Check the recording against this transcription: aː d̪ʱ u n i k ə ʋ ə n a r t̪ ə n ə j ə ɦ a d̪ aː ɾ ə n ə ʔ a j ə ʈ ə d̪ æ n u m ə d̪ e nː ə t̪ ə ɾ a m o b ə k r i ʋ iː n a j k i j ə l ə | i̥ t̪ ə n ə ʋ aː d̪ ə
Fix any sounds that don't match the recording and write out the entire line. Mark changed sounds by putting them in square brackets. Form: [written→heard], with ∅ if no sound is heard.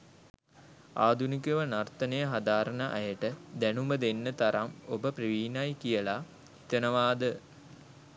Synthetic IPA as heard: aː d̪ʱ u n i k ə ʋ ə n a r t̪ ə n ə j ə ɦ a d̪ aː ɾ ə n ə ʔ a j ə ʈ ə d̪ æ n u m ə d̪ e nː ə t̪ [ə→a] ɾ a m o b ə [k→p] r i ʋ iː n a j k i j ə l [ə→a] | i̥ t̪ ə n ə ʋ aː d̪ ə